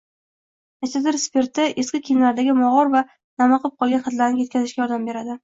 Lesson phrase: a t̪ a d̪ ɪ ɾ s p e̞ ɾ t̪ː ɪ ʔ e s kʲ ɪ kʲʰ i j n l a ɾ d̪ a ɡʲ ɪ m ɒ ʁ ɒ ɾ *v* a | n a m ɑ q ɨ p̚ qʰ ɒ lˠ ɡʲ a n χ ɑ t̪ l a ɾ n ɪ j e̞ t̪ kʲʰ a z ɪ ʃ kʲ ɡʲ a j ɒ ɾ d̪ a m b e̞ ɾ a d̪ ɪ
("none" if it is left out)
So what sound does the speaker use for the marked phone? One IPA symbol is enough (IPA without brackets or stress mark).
v